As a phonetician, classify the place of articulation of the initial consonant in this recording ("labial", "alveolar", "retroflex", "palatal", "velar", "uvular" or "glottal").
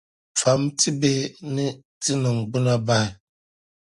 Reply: labial